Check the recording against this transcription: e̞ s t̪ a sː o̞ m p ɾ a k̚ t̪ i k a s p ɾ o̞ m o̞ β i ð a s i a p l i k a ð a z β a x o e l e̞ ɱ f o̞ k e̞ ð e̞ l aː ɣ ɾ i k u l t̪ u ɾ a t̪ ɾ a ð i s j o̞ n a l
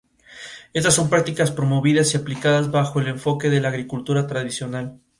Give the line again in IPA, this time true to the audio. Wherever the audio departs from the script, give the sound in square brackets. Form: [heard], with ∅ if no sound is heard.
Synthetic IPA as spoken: e̞ s t̪ a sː o̞ m p ɾ a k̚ t̪ i k a s p ɾ o̞ m o̞ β i ð a s i a p l i k a ð a z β a x o e l e̞ ɱ f o̞ k e̞ ð e̞ l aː ɣ ɾ i k u l t̪ u ɾ a t̪ ɾ a ð i s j o̞ n a l